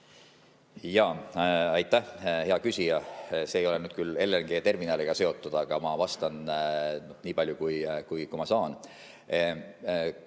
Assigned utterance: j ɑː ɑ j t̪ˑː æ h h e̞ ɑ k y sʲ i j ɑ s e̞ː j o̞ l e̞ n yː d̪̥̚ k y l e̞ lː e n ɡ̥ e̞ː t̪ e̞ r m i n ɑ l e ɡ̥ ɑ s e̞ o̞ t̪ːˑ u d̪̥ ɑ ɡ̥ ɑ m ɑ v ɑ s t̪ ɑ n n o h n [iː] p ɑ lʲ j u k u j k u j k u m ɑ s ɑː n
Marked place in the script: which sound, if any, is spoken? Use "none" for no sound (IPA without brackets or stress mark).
iː